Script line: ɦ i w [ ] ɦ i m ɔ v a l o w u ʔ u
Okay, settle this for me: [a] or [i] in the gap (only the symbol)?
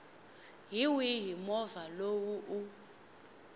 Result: i